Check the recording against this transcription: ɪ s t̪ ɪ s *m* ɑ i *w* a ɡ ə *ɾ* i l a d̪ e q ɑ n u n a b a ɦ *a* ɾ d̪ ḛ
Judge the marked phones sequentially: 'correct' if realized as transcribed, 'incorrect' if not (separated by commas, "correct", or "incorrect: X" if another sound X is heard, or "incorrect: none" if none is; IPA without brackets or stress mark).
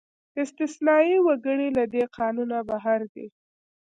incorrect: n, correct, incorrect: ɽ, correct